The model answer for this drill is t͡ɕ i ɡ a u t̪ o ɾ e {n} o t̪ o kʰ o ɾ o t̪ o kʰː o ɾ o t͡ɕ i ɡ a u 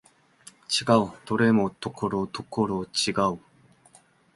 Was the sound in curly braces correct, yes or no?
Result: no